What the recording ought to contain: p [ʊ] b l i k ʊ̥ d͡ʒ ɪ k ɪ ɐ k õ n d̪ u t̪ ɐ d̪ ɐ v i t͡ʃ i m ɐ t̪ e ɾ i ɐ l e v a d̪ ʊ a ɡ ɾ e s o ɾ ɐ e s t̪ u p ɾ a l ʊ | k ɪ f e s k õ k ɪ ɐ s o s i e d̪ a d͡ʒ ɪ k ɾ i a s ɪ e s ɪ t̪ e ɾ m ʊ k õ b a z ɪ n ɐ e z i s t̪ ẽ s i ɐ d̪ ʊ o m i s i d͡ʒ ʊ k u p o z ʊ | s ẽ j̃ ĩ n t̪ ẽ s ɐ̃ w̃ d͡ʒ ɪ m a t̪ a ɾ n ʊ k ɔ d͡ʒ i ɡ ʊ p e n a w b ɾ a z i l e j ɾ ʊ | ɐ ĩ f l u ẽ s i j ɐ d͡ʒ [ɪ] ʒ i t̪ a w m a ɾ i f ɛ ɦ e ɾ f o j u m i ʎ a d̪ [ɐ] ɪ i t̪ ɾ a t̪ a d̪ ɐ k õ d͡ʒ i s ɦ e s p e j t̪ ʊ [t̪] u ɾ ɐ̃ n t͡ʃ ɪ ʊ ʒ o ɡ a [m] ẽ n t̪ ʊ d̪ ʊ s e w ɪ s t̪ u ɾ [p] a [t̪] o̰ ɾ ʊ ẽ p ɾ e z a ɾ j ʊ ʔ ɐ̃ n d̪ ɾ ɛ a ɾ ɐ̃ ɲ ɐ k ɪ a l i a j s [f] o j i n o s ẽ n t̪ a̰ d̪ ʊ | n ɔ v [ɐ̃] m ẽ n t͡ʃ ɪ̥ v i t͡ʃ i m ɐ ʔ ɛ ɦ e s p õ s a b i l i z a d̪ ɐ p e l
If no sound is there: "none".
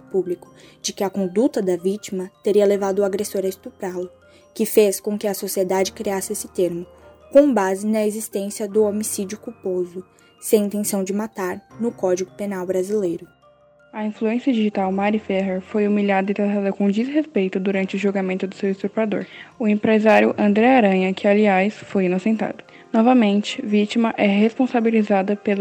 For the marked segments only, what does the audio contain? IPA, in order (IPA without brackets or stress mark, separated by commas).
u, i, ɐ, d̪, m, p, d̪, f, ɐ